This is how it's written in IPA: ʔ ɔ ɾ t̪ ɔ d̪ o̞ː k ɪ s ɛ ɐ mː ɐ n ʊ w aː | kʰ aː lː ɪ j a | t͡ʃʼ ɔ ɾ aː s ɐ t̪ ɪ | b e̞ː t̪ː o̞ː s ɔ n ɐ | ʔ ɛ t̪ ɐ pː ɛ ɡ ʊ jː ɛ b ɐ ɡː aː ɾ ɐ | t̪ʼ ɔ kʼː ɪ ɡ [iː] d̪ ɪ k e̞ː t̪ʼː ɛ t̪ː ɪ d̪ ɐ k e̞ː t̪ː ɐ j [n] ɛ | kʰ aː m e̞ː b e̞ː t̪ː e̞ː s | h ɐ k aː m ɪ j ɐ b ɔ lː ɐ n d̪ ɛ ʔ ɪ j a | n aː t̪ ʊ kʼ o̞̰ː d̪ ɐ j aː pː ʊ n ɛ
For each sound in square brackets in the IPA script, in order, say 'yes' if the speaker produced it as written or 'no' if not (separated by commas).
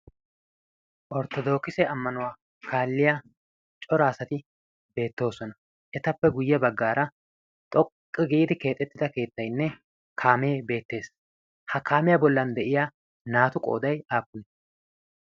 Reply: yes, no